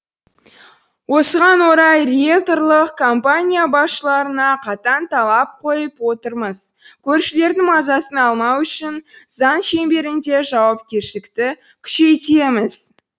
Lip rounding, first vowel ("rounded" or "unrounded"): rounded